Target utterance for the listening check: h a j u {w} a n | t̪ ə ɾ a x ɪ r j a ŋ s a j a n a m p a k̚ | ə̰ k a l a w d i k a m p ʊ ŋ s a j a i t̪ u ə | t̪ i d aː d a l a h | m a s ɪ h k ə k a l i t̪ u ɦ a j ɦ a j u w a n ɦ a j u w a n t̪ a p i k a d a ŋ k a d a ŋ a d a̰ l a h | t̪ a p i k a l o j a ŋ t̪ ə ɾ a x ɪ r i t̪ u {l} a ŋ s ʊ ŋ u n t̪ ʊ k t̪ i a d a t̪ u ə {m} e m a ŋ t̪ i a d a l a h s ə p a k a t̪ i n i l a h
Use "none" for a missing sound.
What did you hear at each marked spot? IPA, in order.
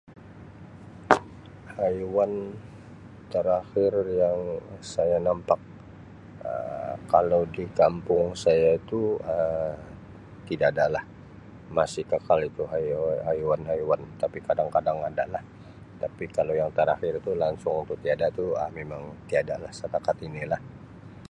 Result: w, l, m

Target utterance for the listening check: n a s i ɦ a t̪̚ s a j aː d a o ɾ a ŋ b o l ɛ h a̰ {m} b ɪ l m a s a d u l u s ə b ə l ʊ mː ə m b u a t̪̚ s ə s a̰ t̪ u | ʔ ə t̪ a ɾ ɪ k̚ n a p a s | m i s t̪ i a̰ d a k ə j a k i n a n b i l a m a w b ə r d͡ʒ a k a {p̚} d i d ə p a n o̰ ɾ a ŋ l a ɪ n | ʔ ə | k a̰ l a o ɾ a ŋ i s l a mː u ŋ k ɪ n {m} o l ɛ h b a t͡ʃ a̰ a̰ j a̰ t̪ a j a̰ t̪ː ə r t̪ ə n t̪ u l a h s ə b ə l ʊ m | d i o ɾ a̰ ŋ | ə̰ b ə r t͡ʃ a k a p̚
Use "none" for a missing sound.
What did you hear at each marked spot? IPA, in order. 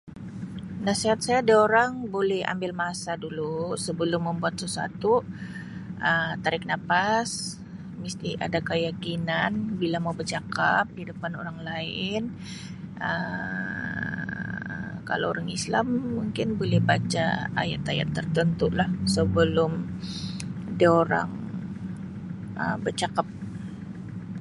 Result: m, p̚, b

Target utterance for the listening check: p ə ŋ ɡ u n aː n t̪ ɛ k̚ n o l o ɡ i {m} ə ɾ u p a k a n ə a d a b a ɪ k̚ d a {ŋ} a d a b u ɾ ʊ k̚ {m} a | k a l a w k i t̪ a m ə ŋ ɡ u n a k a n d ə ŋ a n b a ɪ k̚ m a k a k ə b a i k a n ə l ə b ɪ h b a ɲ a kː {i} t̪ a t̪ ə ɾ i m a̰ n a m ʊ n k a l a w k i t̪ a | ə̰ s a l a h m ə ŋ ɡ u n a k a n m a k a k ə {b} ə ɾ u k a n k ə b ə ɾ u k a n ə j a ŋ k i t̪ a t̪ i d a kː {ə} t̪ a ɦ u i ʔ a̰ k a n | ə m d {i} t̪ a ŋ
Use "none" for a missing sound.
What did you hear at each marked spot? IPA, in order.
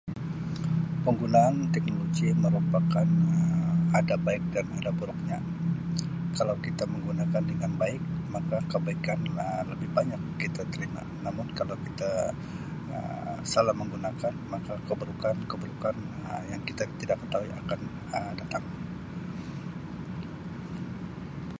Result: m, n, ɲ, i, b, ə, a

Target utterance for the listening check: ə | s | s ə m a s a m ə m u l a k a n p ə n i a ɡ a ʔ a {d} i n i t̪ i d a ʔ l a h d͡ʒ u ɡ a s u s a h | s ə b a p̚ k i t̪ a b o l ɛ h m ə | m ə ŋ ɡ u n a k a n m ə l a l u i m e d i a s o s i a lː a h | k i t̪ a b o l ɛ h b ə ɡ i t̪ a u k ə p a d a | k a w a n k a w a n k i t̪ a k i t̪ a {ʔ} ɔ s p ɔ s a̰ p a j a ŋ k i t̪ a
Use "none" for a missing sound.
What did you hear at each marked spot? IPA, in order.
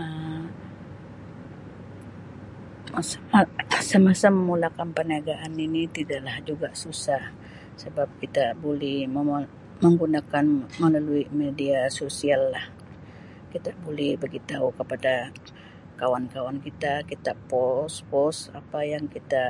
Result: n, p

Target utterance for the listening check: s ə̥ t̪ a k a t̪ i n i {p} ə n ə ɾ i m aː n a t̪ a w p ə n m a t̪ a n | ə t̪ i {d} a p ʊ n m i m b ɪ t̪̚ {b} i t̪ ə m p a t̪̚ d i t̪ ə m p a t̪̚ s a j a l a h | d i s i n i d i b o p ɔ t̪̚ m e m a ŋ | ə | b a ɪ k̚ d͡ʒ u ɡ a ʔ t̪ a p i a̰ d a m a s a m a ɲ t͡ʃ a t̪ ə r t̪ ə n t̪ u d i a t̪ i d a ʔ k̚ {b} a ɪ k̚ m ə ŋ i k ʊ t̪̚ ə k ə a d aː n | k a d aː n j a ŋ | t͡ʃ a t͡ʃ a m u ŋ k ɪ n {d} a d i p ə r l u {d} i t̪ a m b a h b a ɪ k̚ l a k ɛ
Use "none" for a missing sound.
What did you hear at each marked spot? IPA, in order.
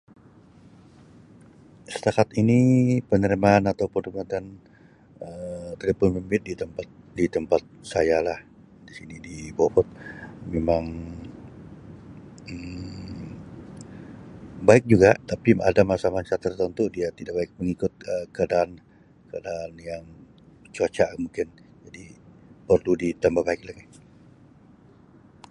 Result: p, d, d, b, d͡ʒ, d

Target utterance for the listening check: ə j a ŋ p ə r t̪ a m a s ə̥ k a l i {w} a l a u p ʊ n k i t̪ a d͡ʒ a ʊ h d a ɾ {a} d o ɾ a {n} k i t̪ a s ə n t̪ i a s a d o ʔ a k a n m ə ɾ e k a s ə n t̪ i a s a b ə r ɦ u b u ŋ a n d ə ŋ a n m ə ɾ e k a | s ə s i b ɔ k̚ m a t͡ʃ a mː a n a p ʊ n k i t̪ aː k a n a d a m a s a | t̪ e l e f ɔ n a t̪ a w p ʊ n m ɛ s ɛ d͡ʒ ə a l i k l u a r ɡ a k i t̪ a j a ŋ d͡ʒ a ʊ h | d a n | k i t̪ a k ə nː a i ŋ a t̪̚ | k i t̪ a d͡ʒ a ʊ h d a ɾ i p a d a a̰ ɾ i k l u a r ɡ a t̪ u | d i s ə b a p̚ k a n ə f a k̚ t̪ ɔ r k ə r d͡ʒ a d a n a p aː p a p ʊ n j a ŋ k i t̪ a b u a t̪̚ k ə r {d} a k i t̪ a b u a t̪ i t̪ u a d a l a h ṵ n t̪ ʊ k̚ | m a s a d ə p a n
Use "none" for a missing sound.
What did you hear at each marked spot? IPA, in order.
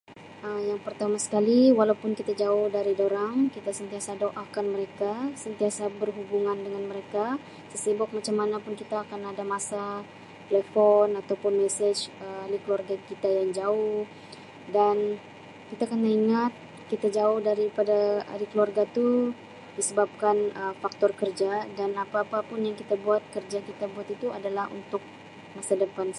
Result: w, i, ŋ, d͡ʒ

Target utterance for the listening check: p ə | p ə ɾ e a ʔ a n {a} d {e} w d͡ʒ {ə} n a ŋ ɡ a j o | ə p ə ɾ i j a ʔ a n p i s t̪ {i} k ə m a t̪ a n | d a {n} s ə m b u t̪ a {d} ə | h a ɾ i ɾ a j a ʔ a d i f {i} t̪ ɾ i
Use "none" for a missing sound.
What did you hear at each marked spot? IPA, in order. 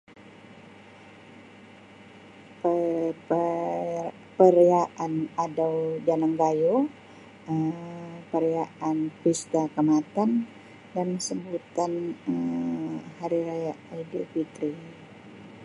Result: a, a, a, a, n, n, i

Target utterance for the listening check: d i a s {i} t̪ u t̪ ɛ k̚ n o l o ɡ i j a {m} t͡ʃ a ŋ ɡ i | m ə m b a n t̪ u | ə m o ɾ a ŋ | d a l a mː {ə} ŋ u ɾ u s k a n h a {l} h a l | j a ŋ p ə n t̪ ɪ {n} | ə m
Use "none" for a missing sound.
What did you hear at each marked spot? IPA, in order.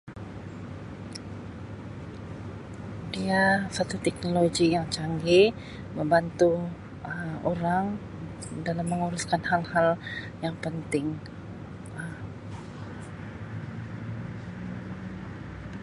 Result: a, ŋ, ə, l, ŋ

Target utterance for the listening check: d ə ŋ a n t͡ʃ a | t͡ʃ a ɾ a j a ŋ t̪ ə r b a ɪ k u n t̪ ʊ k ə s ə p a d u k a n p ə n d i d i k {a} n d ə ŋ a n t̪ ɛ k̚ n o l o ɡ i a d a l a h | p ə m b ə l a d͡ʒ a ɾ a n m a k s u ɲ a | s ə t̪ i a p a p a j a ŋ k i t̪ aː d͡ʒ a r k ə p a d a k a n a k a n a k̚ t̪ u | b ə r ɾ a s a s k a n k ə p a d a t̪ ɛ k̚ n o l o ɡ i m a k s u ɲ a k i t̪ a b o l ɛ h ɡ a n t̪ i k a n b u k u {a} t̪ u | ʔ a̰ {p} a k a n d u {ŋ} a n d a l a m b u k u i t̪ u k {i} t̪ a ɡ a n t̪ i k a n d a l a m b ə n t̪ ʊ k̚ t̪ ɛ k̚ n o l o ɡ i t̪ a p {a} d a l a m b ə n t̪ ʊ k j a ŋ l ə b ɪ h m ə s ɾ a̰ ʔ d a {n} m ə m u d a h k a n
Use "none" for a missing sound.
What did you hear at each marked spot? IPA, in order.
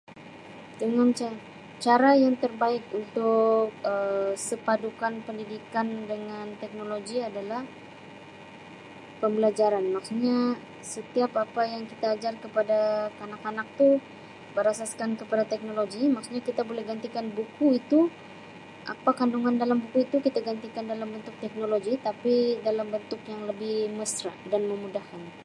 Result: a, i, p, ŋ, i, i, n

